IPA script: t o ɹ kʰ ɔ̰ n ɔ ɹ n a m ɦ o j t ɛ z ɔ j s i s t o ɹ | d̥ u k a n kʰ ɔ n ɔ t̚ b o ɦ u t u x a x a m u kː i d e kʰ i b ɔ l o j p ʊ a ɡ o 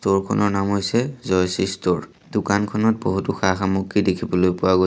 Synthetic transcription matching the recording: t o ɹ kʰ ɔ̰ n ɔ ɹ n a m ɦ o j s ɛ z ɔ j s i s t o ɹ | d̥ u k a n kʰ ɔ n ɔ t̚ b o ɦ u t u x a x a m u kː i d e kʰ i b ɔ l o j p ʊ a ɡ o